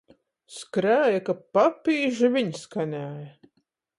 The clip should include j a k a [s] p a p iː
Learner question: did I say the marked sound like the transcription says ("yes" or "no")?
no